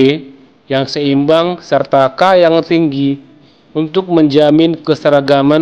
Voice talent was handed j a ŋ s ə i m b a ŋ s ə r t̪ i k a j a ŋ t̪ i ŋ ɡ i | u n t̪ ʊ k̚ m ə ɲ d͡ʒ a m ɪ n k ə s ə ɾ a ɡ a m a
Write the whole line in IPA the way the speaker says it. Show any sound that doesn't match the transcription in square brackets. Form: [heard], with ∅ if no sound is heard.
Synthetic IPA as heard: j a ŋ s ə i m b a ŋ s ə r t̪ [a] k a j a ŋ t̪ i ŋ ɡ i | u n t̪ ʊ k̚ m ə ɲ d͡ʒ a m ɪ n k ə s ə ɾ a ɡ a m a